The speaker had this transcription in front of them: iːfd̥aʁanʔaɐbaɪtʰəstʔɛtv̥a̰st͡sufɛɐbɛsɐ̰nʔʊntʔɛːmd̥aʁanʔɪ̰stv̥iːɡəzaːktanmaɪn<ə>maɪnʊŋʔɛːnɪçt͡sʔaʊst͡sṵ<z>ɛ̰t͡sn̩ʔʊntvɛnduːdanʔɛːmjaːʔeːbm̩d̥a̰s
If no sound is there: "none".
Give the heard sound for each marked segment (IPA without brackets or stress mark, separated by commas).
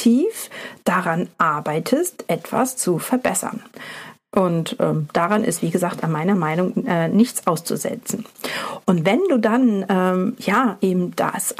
ɐ, z